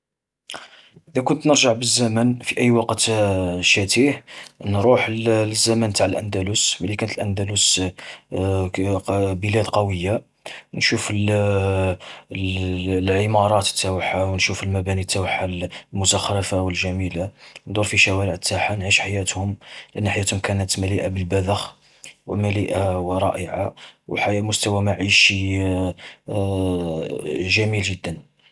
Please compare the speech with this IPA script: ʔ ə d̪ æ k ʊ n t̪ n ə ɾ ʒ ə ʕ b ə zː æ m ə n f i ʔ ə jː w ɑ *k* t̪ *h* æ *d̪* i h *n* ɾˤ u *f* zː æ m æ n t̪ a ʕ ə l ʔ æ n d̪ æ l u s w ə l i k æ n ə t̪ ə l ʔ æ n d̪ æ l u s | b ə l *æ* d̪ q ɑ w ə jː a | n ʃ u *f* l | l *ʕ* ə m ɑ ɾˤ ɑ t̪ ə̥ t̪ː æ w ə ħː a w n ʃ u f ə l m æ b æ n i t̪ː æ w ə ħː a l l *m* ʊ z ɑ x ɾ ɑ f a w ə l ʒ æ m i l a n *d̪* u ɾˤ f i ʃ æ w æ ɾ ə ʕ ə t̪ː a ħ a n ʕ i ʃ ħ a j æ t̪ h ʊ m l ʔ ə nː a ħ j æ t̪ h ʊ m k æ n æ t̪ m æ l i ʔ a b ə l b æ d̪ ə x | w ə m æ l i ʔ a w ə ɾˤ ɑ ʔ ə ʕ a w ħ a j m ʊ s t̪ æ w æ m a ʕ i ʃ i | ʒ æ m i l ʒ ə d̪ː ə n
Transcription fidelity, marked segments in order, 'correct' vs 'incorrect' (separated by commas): incorrect, incorrect, incorrect, correct, incorrect, correct, correct, correct, correct, correct